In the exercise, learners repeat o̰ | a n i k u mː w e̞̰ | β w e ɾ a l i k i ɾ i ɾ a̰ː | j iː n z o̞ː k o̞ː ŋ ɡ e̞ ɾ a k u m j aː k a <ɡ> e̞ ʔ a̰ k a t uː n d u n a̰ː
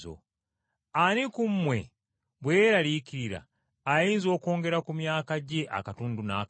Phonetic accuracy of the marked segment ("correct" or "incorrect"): incorrect